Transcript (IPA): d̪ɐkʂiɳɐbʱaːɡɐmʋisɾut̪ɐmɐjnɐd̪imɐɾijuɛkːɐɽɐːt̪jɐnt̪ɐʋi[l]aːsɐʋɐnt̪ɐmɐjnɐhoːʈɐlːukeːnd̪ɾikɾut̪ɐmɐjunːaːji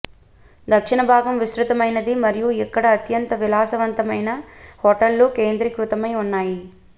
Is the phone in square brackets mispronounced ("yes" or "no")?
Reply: no